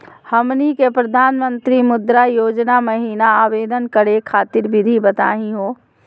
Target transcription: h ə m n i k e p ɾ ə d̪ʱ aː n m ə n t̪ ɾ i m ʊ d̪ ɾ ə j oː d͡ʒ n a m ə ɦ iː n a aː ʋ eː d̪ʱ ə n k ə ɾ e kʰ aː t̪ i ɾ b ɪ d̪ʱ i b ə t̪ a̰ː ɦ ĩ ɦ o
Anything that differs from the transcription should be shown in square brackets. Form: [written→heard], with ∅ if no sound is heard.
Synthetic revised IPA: h ə m n i k e p ɾ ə d̪ʱ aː n m ə n t̪ ɾ i m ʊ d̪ ɾ [ə→a] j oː d͡ʒ n a m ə ɦ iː n a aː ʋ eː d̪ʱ ə n k ə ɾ e kʰ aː t̪ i ɾ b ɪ d̪ʱ i b ə t̪ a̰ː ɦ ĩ ɦ o